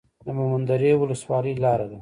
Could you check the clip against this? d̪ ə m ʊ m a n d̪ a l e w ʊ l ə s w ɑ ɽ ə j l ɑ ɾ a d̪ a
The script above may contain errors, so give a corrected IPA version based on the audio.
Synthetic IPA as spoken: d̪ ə m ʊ m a n d̪ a ɾ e w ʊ l ə s w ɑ l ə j l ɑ ɾ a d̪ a